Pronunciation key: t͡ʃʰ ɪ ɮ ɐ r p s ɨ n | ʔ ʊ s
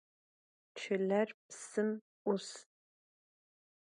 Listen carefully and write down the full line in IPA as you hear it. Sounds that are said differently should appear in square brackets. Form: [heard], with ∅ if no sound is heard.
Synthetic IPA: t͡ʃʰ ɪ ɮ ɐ r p s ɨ [m] | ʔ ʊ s

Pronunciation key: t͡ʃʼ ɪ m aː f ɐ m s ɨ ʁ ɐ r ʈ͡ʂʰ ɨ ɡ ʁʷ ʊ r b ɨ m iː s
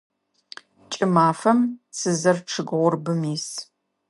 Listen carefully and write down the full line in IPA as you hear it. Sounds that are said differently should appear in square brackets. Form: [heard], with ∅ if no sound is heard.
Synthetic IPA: t͡ʃʼ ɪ m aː f ɐ m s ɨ [z] ɐ r ʈ͡ʂʰ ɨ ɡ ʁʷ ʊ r b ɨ m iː s

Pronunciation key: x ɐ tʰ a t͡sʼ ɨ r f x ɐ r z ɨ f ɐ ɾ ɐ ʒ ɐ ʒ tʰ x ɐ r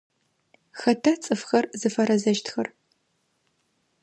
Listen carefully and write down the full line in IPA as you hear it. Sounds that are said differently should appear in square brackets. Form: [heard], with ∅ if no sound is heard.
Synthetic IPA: x ɐ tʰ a t͡sʼ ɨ [∅] f x ɐ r z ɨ f ɐ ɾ ɐ [z] ɐ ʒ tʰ x ɐ r

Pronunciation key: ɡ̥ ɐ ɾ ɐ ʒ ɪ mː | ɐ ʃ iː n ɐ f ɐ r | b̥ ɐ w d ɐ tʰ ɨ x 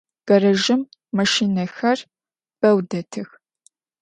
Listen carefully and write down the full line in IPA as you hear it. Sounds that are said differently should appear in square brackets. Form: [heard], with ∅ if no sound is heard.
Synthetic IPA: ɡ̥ ɐ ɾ ɐ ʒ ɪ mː | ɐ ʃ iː n ɐ [x] ɐ r | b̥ ɐ w d ɐ tʰ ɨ x

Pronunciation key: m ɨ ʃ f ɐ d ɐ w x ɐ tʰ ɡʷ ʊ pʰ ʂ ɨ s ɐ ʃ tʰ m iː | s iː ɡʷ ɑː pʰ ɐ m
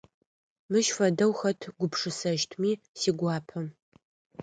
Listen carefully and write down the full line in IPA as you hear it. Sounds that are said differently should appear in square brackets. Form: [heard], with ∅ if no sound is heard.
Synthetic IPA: m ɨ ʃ f ɐ d ɐ w x ɐ tʰ ɡʷ ʊ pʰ ʂ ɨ s ɐ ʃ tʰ m iː | s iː ɡʷ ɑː pʰ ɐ m

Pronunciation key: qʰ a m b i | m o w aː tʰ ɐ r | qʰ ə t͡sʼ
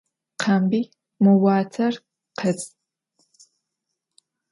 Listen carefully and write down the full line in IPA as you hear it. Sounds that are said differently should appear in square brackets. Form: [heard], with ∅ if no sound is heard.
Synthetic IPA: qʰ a m b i | m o w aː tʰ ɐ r | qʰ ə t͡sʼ

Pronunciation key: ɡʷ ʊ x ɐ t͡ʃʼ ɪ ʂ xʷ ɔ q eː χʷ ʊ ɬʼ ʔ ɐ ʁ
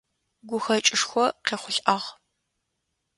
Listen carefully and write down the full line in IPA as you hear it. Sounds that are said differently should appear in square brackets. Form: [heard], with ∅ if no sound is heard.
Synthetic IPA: ɡʷ ʊ x ɐ t͡ʃʼ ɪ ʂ xʷ ɔ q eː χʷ ʊ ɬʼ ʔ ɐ ʁ

